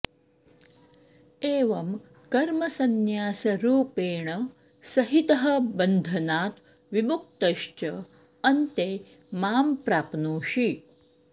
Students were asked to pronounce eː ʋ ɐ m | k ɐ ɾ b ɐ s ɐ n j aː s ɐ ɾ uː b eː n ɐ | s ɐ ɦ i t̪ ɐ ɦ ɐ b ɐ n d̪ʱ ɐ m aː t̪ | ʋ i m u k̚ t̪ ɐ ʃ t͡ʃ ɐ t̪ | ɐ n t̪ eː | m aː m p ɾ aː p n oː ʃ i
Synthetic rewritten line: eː ʋ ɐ m | k ɐ ɾ m ɐ s ɐ n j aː s ɐ ɾ uː p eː ɳ ɐ | s ɐ ɦ i t̪ ɐ ɦ ɐ b ɐ n d̪ʱ ɐ n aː t̪ | ʋ i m u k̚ t̪ ɐ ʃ t͡ʃ ɐ | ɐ n t̪ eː | m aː m p ɾ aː p n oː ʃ i